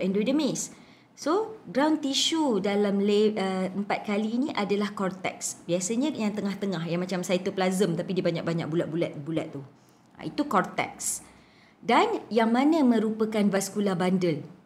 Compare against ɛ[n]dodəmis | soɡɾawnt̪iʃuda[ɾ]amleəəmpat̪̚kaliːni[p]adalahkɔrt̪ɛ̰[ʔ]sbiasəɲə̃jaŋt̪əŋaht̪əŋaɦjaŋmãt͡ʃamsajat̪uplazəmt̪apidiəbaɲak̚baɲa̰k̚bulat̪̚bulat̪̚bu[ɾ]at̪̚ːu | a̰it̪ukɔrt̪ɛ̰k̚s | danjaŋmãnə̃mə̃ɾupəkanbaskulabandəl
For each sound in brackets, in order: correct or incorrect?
correct, incorrect, incorrect, incorrect, incorrect

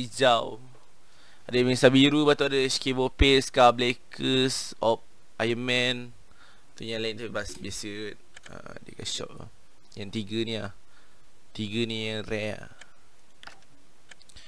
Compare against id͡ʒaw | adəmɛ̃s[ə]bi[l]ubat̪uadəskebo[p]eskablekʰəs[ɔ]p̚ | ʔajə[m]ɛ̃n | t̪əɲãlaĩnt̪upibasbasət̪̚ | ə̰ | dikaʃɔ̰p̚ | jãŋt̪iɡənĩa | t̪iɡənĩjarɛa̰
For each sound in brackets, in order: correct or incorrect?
incorrect, incorrect, correct, correct, correct

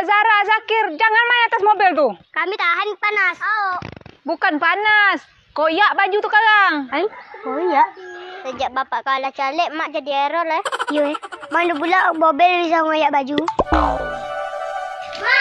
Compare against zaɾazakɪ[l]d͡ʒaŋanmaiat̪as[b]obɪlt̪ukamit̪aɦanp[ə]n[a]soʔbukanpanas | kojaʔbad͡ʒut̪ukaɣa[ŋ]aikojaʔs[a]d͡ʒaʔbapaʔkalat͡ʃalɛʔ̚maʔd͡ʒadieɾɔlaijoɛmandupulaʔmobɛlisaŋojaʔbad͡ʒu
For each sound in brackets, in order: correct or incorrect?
incorrect, incorrect, incorrect, correct, correct, incorrect

